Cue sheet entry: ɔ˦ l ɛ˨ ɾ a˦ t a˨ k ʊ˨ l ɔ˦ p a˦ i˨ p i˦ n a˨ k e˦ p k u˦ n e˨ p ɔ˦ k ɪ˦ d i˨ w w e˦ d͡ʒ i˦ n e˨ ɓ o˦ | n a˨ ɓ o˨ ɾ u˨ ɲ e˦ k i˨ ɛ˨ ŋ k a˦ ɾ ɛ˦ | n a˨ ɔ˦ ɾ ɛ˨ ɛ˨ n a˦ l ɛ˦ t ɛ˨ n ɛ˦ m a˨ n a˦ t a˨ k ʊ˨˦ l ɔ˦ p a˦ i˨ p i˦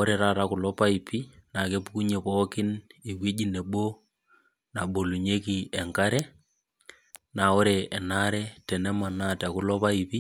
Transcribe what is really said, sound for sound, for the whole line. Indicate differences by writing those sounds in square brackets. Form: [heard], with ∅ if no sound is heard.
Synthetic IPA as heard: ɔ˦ [ɾ] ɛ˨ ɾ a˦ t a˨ k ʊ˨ l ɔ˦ p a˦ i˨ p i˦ n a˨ k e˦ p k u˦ [ɲ] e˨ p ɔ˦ k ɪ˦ [n] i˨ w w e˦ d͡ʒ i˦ n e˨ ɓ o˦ | n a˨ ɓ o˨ [l] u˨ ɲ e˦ k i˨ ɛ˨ ŋ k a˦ ɾ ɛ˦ | n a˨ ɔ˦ ɾ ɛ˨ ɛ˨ n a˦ [ɾ] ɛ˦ t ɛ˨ n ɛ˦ m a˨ n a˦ t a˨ k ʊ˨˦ l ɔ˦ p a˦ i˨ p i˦